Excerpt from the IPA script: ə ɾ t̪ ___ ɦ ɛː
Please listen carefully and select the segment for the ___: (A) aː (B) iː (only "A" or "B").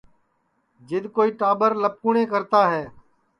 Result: A